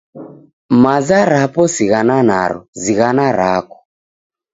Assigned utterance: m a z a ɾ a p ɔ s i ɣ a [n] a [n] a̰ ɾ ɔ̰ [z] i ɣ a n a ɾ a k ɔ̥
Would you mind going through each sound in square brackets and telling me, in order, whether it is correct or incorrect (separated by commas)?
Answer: correct, correct, correct